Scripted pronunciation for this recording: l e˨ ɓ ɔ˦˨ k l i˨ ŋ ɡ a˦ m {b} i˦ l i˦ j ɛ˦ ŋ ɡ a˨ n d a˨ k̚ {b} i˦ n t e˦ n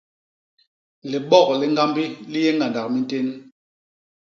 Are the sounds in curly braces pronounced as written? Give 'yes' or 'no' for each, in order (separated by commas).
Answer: yes, no